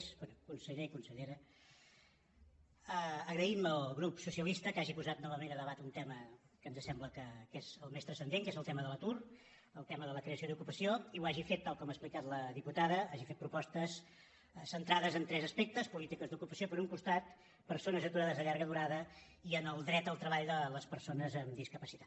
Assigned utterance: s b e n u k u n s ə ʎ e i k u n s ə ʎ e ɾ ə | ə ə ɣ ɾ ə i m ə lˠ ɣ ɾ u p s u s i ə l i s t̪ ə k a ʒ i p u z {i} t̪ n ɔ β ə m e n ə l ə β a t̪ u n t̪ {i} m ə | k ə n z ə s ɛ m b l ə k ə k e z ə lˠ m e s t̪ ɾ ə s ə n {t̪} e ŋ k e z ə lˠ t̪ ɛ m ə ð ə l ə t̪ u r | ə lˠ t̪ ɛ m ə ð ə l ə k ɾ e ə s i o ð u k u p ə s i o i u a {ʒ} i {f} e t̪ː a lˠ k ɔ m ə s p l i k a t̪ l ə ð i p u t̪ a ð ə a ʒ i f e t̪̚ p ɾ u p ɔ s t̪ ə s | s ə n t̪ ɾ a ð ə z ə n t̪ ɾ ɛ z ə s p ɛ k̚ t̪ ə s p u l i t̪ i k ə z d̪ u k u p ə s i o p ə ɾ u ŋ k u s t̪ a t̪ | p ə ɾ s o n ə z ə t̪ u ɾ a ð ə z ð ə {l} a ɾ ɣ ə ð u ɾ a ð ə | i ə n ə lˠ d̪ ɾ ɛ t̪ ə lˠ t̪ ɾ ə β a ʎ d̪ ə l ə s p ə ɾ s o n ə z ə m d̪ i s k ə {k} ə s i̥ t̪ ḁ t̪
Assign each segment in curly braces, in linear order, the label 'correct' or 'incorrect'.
incorrect: a, incorrect: ɛ, incorrect: d̪, correct, correct, incorrect: ʎ, incorrect: p

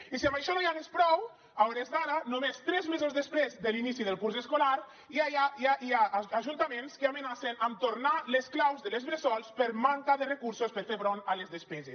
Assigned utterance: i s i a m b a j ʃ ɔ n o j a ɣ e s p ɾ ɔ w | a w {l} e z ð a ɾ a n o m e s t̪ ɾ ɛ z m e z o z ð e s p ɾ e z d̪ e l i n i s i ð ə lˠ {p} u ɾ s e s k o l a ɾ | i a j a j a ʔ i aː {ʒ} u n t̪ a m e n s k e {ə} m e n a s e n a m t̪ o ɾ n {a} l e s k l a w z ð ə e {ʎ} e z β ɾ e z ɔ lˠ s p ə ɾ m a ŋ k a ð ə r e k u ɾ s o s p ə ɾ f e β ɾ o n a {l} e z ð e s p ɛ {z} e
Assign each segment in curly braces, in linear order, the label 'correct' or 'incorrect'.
incorrect: ɾ, incorrect: k, correct, incorrect: a, correct, incorrect: l, correct, correct

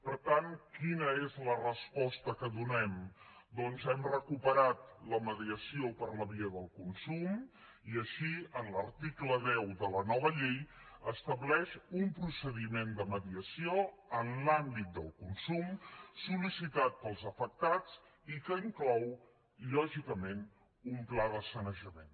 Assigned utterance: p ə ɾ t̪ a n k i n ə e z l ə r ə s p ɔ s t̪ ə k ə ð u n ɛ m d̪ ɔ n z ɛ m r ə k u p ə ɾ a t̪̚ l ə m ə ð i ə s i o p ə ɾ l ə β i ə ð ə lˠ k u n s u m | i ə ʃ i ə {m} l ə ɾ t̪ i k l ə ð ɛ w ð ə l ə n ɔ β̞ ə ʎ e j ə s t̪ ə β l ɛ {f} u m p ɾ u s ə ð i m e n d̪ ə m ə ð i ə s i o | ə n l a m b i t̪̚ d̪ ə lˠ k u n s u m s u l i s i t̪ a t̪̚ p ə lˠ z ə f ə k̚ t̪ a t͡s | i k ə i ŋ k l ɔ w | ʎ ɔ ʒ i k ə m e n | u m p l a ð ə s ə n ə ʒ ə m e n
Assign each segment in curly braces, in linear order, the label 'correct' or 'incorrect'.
incorrect: n, incorrect: ʃ

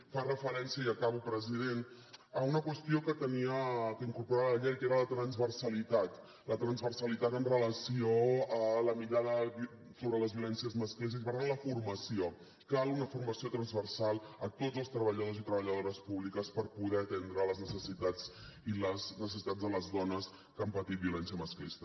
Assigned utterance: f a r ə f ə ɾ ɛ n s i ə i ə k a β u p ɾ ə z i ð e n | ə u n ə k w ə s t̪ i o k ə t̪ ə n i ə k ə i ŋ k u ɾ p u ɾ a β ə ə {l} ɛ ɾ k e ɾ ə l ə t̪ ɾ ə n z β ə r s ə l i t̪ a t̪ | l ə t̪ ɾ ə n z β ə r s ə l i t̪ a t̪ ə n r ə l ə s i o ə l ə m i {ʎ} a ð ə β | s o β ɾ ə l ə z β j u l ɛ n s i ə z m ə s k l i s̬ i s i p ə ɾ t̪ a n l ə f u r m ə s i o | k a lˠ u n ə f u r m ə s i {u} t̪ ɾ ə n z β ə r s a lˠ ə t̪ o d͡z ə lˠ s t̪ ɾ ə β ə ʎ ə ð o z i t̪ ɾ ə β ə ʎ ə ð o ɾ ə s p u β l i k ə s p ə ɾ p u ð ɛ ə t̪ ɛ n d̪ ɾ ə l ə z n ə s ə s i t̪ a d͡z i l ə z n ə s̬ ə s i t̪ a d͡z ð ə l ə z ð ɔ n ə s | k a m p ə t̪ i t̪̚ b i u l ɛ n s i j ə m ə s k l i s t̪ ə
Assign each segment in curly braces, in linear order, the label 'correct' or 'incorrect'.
incorrect: ʎ, correct, incorrect: o

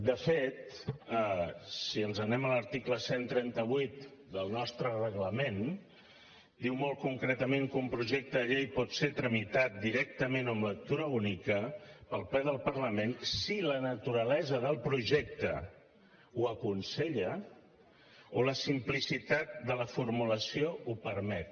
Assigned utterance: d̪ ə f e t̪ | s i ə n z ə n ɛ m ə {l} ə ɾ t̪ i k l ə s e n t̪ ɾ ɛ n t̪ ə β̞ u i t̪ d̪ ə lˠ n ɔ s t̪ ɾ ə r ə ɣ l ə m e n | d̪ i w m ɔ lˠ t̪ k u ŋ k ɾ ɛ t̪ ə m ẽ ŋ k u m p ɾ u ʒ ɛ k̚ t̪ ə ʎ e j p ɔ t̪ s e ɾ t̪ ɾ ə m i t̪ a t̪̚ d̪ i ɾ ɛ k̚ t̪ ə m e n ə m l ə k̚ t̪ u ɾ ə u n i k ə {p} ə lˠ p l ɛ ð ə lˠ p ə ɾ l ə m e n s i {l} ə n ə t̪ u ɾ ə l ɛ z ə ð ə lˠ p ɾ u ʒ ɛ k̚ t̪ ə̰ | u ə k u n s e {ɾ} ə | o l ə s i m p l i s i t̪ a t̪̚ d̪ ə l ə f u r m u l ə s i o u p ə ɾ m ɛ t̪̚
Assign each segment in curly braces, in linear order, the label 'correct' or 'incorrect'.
correct, correct, correct, incorrect: ʎ

